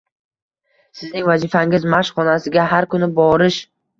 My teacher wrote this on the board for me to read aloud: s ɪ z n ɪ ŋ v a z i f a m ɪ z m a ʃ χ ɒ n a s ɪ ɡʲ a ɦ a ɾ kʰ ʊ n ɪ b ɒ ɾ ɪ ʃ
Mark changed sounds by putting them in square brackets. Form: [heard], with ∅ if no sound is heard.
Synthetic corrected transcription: s ɪ z n ɪ ŋ v a z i f a [ŋ] ɪ z m a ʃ χ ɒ n a s ɪ ɡʲ a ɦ a ɾ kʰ ʊ n ɪ b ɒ ɾ ɪ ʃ